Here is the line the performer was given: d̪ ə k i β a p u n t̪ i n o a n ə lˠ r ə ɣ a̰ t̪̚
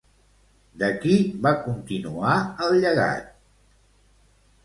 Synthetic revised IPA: d̪ ə k i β a k u n t̪ i n u a ə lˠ ʎ ə ɣ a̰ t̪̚